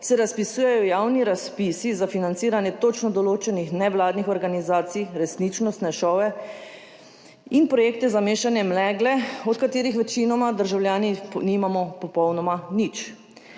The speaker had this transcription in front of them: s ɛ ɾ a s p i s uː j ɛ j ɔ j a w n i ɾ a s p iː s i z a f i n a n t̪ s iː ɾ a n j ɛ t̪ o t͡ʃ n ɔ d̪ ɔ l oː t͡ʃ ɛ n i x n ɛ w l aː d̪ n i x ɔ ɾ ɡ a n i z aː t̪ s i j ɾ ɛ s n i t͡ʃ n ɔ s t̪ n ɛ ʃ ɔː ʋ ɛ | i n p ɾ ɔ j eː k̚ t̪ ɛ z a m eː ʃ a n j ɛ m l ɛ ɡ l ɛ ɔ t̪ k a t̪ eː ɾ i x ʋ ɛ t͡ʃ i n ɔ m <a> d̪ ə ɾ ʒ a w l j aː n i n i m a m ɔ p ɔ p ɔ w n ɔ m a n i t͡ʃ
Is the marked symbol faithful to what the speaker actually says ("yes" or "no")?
yes